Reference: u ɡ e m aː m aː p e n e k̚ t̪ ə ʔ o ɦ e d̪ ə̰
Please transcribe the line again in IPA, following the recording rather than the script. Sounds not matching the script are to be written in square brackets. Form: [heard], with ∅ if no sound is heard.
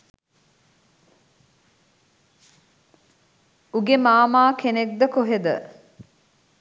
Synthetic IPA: u ɡ e m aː m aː [k] e n e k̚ [d̪] ə [k] o ɦ e d̪ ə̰